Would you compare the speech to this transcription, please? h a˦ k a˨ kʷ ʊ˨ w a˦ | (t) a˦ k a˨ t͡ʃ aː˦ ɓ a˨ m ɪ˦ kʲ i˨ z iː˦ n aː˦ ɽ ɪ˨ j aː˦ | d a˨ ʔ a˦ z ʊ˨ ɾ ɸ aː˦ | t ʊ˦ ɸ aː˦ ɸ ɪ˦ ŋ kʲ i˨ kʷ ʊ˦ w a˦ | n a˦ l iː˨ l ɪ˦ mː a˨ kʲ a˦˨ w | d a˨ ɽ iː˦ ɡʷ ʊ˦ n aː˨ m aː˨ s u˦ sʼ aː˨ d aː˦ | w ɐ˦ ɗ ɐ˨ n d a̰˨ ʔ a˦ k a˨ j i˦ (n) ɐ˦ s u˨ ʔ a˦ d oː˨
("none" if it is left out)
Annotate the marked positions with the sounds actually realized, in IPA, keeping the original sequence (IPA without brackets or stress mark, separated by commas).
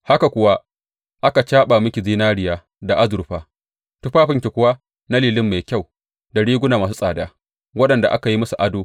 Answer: ʔ, m